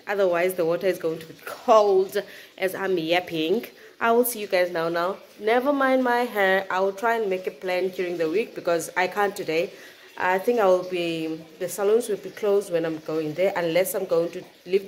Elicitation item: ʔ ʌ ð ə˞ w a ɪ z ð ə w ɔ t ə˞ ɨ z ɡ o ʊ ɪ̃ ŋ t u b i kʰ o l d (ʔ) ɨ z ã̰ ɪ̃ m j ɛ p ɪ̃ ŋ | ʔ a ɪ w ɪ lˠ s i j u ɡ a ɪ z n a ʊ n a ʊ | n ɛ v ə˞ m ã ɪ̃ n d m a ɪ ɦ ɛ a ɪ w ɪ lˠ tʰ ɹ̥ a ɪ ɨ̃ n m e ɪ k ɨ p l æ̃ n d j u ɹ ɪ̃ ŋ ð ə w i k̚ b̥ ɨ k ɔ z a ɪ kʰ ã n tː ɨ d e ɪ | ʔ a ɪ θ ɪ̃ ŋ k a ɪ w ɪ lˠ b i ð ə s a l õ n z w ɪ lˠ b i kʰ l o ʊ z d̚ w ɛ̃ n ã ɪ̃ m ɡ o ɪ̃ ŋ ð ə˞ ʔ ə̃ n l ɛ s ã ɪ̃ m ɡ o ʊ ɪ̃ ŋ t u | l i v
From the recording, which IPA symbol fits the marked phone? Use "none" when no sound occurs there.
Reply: ʔ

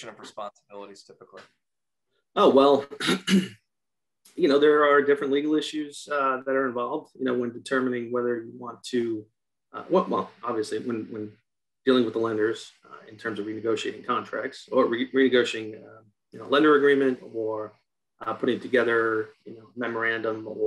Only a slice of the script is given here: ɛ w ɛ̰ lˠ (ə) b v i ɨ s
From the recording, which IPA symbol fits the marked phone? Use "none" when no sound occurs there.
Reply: ɑ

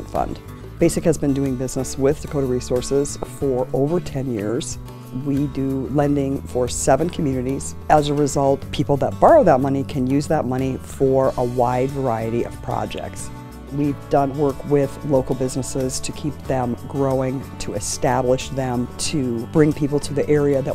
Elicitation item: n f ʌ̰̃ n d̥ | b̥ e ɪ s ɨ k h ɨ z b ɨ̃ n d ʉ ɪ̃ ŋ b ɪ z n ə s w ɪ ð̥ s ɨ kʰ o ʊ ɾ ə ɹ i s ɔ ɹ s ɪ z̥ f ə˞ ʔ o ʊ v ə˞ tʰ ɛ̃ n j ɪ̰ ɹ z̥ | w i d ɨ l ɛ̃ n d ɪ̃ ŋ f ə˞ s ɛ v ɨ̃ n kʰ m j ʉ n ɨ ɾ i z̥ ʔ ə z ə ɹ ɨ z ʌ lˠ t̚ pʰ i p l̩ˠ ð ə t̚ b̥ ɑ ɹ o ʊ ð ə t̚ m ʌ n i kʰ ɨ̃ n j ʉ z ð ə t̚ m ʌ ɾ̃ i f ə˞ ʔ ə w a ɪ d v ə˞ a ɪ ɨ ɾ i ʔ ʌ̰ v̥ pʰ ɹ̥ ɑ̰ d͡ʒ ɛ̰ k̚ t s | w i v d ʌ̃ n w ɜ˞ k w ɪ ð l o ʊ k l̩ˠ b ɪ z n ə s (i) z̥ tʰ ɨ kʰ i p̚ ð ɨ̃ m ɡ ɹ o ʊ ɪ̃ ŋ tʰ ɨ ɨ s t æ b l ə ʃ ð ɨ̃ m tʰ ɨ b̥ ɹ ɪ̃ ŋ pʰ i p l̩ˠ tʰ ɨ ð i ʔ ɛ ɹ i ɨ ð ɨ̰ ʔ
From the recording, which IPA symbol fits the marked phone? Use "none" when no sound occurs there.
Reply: ɪ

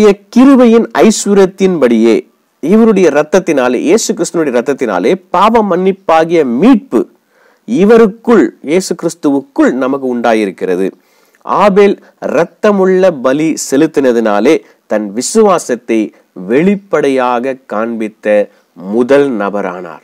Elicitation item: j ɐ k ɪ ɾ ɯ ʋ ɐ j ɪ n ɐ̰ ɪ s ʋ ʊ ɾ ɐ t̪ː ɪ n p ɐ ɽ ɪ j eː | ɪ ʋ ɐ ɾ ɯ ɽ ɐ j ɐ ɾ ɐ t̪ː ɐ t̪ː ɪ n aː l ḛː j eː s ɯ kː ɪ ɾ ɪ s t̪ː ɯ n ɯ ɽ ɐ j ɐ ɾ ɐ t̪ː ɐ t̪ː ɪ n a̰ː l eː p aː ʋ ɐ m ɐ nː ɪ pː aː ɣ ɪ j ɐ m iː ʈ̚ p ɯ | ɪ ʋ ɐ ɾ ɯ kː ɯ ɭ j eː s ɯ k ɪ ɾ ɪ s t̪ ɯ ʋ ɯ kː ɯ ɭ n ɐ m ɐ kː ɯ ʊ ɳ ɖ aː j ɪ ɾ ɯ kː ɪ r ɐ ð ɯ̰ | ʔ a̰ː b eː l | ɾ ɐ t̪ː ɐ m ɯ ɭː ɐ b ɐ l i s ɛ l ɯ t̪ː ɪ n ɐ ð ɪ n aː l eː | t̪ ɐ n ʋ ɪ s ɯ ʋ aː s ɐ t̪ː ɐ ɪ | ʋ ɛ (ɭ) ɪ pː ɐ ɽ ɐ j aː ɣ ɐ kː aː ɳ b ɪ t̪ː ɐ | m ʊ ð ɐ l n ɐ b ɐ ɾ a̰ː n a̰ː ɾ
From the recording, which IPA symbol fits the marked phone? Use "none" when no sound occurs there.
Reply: ɭ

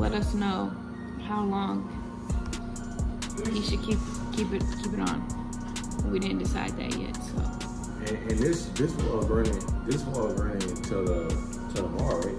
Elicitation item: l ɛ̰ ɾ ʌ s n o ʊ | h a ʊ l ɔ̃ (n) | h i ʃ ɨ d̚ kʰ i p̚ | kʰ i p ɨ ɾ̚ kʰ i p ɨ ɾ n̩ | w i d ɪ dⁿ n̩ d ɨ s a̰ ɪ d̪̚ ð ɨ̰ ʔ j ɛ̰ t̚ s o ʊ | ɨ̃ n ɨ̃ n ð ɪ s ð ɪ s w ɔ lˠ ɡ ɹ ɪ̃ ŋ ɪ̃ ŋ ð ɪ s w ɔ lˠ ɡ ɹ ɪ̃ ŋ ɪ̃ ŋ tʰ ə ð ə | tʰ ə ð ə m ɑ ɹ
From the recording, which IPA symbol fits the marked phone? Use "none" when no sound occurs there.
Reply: ŋ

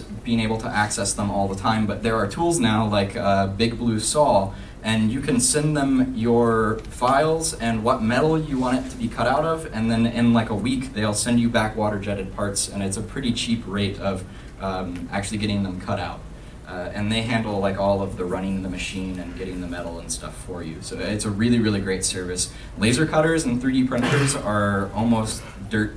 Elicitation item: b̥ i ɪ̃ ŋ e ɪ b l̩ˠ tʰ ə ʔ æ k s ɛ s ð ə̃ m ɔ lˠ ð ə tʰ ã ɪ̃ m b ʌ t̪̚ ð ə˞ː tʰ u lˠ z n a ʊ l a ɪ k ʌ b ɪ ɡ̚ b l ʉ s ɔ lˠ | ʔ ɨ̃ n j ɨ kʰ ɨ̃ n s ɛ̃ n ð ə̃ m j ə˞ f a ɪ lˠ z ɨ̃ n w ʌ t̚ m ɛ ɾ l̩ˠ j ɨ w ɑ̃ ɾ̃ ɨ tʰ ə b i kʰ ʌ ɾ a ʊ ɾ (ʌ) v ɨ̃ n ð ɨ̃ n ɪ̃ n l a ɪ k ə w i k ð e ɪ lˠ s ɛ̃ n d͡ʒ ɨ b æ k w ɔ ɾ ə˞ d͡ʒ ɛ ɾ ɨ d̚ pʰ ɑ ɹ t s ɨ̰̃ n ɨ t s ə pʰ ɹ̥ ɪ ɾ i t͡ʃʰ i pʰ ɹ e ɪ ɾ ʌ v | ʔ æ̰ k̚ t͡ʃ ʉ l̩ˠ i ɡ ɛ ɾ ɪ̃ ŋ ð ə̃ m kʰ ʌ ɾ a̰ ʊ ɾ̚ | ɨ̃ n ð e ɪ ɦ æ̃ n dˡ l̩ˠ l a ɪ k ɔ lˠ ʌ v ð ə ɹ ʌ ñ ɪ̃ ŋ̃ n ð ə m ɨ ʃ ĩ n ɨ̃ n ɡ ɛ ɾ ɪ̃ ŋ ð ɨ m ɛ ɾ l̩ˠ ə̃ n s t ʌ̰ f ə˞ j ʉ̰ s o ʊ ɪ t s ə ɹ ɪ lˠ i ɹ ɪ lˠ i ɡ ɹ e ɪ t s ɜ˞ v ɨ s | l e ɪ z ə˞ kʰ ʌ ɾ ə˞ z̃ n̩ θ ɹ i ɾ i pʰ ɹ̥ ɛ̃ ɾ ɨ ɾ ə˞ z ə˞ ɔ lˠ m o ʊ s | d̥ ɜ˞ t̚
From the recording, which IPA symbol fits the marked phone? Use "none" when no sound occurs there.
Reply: ʌ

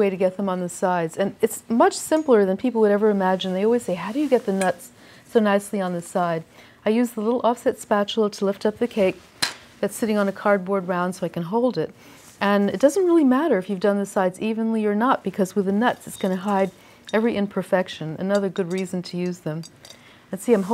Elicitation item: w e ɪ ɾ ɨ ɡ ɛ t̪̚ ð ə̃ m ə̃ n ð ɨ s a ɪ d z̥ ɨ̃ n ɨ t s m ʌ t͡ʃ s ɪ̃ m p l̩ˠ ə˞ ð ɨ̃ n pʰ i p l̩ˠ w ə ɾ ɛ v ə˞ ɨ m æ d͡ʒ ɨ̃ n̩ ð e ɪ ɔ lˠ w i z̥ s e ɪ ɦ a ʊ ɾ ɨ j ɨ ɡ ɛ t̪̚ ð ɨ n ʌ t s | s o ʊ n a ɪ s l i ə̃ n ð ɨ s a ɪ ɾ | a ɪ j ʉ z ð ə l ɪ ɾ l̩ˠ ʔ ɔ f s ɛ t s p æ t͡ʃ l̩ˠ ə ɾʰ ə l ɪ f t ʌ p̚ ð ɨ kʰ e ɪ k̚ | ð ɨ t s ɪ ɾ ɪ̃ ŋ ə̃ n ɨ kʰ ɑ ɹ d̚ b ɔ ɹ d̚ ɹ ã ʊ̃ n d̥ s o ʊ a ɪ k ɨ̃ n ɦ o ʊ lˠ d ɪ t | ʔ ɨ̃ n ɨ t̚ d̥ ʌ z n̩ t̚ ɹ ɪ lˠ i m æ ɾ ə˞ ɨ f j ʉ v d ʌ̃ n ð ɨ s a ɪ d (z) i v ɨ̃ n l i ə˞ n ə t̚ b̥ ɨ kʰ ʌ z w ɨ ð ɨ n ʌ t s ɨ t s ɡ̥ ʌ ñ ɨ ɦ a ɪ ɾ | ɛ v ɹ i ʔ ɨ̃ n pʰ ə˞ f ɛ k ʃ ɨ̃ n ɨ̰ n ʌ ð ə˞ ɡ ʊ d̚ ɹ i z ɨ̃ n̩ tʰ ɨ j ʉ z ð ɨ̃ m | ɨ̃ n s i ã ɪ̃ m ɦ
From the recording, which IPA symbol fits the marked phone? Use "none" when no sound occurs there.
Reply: z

